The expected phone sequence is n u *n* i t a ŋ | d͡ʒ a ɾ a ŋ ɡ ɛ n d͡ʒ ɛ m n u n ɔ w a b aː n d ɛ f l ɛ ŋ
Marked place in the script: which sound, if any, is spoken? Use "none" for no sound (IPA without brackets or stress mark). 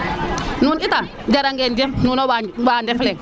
n